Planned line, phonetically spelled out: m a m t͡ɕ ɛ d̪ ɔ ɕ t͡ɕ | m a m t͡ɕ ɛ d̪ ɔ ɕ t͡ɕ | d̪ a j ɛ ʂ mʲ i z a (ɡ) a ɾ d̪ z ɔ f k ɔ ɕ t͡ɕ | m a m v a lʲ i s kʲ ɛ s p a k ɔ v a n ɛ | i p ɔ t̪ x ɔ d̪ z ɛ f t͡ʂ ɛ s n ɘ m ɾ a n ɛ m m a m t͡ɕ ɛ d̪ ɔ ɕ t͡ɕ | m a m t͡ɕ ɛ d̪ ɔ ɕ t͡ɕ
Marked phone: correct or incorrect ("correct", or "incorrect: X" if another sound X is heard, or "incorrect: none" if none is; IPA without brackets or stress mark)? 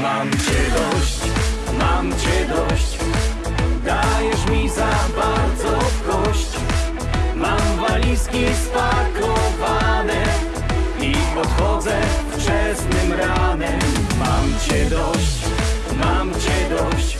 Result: incorrect: b